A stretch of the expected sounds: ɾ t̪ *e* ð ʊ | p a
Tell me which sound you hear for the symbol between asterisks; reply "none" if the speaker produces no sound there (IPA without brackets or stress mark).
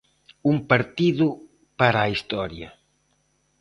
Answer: i